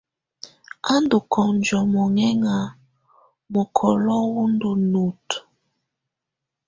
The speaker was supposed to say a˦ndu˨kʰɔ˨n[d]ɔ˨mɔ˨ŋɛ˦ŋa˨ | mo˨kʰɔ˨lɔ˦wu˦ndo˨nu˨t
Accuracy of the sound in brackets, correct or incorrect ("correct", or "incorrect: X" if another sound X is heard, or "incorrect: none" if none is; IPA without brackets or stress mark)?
incorrect: d͡ʒ